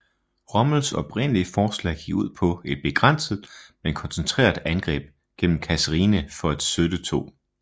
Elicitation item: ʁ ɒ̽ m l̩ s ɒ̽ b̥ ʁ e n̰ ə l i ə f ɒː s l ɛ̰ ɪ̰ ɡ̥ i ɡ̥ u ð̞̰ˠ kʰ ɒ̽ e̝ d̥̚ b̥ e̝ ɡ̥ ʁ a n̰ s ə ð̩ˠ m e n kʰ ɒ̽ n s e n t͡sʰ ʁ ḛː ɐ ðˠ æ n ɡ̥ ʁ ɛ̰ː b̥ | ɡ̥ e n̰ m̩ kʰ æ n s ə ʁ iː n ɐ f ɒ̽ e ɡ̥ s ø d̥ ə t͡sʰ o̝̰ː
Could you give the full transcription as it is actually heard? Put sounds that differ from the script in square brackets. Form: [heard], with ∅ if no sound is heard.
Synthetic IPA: ʁ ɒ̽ m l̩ s ɒ̽ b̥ ʁ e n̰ ə l i ə f ɒː s l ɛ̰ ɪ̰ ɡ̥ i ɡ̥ u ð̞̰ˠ [pʰ] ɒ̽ e̝ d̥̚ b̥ e̝ ɡ̥ ʁ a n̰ s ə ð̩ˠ m e n kʰ ɒ̽ n s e n t͡sʰ ʁ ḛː ɐ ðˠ æ n ɡ̥ ʁ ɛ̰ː b̥ | ɡ̥ e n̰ m̩ kʰ æ [∅] s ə ʁ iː n [ə] f ɒ̽ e [d̥] s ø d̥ ə t͡sʰ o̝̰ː